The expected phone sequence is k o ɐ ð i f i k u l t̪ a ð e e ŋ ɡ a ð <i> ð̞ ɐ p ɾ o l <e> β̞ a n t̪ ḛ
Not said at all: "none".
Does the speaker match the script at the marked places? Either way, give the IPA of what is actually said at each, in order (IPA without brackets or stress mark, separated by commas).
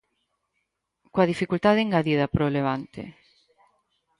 i, e